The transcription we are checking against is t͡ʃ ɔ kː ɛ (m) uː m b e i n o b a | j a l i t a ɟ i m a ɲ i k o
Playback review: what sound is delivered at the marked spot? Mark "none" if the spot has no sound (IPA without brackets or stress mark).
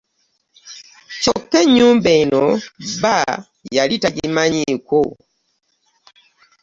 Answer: ɲ